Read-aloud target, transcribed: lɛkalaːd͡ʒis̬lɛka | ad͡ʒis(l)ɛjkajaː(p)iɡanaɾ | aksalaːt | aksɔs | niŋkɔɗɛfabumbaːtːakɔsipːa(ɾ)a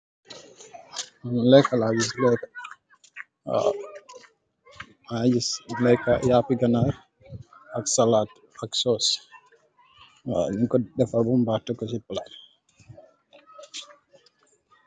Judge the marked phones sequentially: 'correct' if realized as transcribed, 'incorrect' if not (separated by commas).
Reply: correct, correct, incorrect